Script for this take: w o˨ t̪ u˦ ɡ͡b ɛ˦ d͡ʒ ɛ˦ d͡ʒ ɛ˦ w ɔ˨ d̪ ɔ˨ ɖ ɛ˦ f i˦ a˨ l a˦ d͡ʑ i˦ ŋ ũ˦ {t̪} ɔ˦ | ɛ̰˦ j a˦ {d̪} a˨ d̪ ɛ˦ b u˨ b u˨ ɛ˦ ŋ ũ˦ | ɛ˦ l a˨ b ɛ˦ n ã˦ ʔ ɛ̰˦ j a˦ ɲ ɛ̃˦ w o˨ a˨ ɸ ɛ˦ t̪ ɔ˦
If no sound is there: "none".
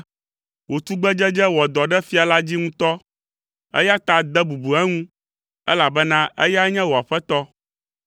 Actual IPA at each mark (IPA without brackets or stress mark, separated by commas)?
t̪, t̪